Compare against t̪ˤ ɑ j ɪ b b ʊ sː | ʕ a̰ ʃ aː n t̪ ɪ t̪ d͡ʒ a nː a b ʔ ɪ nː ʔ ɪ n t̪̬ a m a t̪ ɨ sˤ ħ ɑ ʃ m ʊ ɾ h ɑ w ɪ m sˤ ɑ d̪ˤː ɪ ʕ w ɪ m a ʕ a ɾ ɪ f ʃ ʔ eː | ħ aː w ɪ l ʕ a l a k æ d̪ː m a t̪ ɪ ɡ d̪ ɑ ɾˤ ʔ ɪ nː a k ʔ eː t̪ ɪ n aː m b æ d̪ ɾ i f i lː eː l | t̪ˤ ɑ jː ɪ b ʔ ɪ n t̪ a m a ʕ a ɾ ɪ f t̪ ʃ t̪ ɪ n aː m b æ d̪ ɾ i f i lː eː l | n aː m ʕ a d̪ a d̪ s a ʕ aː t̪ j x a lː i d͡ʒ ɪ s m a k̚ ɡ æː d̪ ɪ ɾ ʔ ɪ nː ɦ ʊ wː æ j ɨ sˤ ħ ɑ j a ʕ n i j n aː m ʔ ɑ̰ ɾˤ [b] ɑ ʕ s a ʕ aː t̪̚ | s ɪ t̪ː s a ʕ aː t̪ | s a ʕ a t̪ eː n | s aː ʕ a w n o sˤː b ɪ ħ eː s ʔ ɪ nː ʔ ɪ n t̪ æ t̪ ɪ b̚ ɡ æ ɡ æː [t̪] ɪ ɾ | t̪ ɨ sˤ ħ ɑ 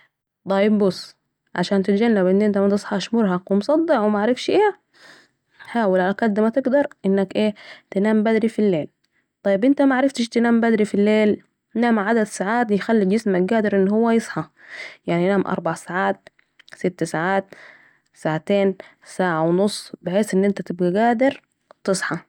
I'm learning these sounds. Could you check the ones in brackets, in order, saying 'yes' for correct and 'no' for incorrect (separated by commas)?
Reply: yes, no